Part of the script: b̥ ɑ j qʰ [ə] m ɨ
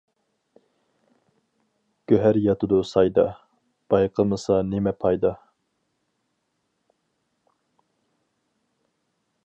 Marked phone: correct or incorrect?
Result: correct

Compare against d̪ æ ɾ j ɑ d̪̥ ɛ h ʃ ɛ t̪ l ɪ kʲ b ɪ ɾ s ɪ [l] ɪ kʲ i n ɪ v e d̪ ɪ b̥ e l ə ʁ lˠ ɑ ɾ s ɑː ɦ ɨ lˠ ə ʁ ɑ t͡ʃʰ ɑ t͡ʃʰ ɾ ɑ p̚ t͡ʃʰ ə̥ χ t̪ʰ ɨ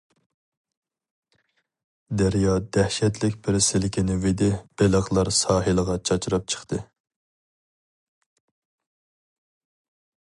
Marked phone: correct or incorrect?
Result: correct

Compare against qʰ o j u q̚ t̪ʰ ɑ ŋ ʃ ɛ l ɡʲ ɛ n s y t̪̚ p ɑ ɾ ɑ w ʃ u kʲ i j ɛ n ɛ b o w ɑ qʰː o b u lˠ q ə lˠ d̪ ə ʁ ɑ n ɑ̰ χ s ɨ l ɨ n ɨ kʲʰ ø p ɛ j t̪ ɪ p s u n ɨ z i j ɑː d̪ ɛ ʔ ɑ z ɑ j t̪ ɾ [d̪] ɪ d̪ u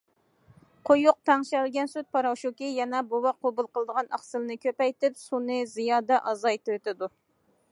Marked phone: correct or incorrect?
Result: incorrect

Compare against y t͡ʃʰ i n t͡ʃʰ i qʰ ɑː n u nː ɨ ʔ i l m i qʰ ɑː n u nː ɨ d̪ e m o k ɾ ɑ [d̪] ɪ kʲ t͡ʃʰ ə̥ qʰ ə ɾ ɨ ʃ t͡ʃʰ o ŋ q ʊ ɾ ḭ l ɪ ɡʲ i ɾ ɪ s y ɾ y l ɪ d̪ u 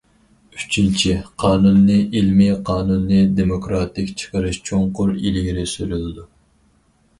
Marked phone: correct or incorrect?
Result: incorrect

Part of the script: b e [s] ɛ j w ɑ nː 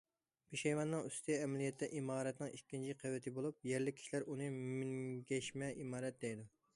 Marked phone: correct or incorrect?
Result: incorrect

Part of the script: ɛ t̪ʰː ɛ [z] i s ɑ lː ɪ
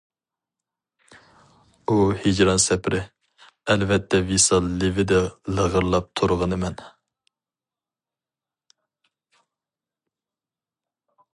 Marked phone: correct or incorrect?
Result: incorrect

